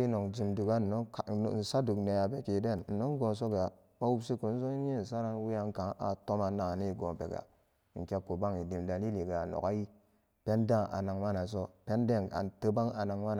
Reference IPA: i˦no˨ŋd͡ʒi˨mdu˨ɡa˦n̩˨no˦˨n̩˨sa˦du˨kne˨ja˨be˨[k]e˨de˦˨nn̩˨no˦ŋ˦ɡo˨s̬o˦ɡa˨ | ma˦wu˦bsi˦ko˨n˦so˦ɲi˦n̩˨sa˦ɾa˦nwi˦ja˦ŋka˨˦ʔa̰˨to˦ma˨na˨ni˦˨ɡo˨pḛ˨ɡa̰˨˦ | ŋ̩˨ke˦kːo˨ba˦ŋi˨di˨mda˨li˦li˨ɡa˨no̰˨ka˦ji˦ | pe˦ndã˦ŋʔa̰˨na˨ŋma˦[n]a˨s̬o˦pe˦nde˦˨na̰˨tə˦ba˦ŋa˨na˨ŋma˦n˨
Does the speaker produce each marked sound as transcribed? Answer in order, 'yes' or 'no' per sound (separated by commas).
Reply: yes, yes